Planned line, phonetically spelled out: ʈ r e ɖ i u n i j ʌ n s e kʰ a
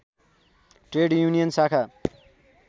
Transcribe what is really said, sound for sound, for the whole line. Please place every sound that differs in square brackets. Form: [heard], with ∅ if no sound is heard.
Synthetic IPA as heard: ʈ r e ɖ [j] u n i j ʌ n s [a] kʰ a